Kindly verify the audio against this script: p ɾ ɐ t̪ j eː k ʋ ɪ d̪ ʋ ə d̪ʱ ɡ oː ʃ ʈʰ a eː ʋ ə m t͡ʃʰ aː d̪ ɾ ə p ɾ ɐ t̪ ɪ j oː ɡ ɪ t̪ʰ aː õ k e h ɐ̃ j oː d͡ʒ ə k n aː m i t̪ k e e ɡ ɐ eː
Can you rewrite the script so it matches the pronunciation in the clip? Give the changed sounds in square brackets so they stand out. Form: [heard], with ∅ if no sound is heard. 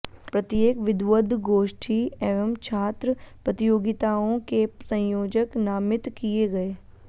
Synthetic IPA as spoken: p ɾ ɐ t̪ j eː k ʋ ɪ d̪ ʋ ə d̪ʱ ɡ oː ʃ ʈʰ [i] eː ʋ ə m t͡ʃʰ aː [t̪] ɾ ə p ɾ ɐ t̪ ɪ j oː ɡ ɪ [t̪] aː õ k e [s] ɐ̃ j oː d͡ʒ ə k n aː m [ɪ] t̪ k [i] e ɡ ɐ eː